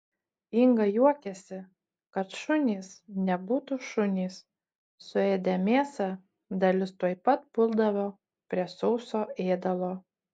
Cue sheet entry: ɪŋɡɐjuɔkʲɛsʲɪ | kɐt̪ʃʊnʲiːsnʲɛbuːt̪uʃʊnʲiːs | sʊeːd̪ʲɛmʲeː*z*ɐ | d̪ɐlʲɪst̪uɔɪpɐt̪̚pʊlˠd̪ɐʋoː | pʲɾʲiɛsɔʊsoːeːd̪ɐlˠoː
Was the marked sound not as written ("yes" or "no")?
yes